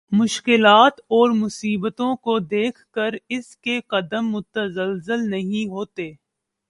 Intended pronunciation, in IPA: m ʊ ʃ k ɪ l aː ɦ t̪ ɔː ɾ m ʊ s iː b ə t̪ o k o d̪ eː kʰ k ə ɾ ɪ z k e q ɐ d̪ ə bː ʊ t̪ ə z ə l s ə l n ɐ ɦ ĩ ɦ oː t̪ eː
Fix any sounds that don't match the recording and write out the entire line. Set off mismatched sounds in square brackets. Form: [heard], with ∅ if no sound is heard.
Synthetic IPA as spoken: m ʊ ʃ k ɪ l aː [∅] t̪ ɔː ɾ m ʊ s iː b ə t̪ [õ] k o d̪ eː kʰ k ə ɾ ɪ [s] k e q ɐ d̪ ə [mː] ʊ t̪ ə z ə l [z] ə l n ɐ ɦ ĩ ɦ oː t̪ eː